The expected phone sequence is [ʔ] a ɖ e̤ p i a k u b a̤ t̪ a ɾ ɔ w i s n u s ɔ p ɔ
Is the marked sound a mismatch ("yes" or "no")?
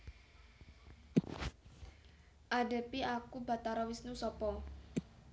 no